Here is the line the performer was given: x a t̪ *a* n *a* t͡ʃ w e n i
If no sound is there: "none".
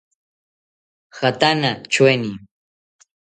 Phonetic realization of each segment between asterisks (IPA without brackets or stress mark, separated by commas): a, a